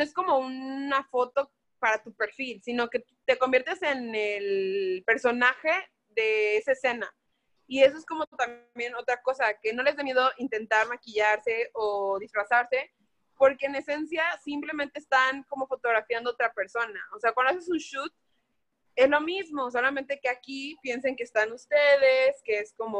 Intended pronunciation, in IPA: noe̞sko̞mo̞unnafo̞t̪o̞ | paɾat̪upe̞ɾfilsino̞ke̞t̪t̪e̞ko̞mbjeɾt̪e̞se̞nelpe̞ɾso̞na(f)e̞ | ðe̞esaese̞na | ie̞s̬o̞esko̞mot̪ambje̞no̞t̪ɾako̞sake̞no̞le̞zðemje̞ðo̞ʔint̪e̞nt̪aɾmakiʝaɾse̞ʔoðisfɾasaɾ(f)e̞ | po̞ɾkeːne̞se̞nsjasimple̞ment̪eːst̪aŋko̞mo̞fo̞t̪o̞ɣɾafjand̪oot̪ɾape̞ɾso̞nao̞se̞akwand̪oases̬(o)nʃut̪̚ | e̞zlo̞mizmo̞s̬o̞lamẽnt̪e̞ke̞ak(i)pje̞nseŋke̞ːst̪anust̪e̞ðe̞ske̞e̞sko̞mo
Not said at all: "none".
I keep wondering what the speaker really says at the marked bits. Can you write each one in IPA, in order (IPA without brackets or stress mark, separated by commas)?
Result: x, s, u, i